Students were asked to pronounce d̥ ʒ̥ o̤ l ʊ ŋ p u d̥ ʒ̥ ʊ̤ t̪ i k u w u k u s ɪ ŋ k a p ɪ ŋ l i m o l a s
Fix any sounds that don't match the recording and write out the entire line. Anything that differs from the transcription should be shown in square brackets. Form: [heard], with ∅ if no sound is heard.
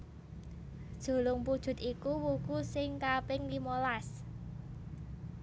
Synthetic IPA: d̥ ʒ̥ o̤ l ʊ ŋ p u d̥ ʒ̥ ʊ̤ t̪ i k u w u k u s ɪ ŋ k a p ɪ ŋ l i m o l a s